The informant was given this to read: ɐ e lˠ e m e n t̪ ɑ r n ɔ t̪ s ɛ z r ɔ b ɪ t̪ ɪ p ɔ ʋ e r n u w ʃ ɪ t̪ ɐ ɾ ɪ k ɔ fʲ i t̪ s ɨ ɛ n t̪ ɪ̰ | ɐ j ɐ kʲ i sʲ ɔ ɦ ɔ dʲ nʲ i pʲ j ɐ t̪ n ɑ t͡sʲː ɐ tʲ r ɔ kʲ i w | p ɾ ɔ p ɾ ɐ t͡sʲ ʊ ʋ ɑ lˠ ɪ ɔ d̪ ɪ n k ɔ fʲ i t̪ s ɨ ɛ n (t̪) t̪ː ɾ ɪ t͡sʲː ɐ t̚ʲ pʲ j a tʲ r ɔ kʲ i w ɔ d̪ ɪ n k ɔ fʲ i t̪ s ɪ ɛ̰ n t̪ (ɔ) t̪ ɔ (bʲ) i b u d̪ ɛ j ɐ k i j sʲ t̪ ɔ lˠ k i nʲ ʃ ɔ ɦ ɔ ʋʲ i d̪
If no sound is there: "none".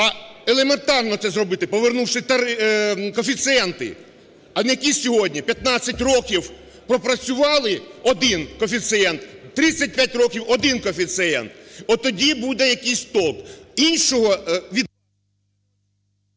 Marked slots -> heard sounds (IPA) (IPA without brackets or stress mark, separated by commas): t̪, ɔ, dʲ